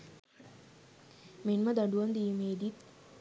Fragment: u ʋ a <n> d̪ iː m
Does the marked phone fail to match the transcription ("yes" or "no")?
no